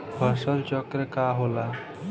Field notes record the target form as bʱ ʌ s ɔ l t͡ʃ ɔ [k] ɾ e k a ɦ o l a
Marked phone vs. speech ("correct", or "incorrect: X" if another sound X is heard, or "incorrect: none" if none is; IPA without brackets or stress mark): correct